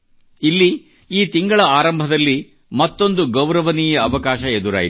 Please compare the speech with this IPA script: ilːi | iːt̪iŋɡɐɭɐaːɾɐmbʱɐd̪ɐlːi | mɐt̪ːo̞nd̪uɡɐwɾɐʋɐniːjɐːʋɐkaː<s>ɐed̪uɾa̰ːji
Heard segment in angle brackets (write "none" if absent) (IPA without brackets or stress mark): ʃ